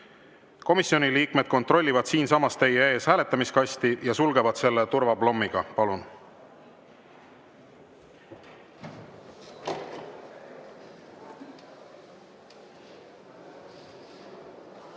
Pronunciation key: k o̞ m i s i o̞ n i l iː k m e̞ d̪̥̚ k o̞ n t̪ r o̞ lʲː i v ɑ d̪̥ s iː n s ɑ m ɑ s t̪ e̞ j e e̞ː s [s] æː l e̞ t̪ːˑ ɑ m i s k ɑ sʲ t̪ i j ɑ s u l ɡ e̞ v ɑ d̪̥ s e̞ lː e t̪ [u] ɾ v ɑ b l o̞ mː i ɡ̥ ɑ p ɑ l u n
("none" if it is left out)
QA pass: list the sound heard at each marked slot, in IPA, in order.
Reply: h, u

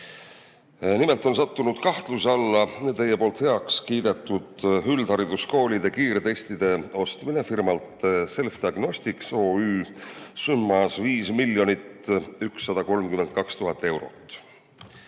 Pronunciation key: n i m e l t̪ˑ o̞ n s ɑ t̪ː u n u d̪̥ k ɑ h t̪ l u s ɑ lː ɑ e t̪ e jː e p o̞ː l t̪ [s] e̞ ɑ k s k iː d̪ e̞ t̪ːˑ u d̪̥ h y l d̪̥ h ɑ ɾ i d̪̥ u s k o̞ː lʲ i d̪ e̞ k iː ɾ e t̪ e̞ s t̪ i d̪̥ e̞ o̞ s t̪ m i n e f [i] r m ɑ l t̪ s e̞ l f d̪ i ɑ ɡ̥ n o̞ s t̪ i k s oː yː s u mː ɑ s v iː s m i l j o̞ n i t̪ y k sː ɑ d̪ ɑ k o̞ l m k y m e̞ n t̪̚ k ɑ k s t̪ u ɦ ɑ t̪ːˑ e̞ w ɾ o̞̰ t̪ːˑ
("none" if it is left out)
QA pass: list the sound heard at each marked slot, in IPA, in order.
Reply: h, i

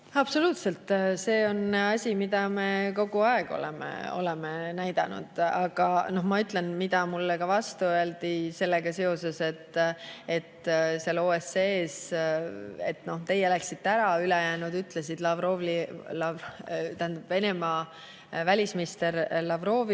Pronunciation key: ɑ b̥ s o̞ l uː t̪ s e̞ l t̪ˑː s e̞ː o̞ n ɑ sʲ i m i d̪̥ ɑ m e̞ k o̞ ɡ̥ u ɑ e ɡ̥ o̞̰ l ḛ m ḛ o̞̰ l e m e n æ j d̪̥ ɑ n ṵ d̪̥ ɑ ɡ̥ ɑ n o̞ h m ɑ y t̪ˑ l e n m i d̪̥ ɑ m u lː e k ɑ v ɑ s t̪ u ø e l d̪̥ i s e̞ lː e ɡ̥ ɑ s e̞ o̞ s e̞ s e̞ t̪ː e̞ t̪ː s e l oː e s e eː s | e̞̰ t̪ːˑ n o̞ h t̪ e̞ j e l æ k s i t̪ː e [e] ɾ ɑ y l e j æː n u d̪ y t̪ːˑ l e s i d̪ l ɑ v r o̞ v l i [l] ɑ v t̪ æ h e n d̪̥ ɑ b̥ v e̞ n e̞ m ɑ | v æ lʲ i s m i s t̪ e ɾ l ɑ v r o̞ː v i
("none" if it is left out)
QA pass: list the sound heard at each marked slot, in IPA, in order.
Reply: æ, l

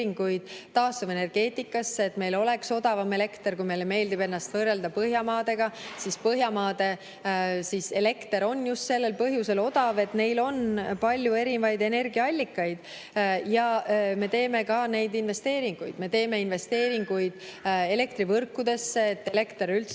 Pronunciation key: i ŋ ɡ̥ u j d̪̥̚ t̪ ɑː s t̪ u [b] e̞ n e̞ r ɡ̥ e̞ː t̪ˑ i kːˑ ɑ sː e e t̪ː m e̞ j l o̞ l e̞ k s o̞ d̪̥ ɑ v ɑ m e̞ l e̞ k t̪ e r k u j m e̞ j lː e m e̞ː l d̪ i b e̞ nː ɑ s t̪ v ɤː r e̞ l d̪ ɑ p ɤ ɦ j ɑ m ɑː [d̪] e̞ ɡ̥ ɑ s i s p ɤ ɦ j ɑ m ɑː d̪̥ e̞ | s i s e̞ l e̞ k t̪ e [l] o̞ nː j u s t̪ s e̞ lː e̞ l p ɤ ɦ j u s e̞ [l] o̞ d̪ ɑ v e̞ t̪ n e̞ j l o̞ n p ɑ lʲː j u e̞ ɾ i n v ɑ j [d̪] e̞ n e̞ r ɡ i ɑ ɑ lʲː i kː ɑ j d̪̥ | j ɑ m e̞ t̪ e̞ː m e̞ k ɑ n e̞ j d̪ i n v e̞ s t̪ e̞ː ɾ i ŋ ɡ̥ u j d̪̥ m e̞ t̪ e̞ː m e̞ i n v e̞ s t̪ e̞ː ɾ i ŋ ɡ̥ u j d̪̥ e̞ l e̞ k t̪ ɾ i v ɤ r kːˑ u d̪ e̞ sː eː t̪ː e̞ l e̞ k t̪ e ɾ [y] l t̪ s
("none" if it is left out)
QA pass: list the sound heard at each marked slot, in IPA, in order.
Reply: v, d̪, ɾ, l, d̪, y

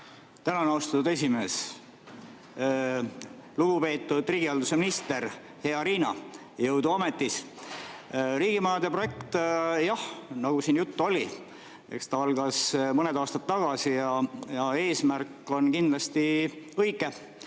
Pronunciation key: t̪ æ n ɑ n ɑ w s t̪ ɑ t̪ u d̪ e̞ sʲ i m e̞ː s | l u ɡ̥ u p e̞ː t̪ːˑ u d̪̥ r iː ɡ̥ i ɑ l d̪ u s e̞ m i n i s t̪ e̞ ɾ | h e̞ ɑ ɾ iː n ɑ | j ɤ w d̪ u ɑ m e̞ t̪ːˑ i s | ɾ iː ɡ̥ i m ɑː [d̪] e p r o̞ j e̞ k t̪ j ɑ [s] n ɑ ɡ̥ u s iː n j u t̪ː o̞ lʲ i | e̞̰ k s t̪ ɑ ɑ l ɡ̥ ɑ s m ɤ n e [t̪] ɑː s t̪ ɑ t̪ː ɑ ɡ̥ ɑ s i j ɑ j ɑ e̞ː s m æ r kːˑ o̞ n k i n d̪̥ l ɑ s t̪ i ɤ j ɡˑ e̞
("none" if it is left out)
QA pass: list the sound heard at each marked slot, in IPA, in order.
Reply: d̪, h, d̪

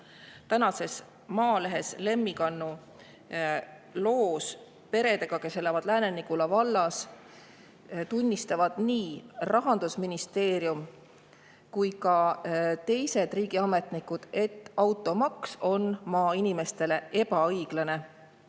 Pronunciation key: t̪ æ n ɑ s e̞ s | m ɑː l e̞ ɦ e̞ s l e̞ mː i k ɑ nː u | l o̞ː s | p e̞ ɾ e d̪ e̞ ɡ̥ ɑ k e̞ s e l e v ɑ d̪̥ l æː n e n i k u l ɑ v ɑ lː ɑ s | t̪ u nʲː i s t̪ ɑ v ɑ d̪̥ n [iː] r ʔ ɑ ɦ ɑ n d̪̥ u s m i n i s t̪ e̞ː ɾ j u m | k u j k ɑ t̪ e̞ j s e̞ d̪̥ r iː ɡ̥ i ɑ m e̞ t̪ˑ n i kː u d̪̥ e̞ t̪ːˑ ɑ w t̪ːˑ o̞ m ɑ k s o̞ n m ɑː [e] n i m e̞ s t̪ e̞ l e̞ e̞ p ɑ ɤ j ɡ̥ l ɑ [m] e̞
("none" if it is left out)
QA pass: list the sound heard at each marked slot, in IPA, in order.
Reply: iː, i, n

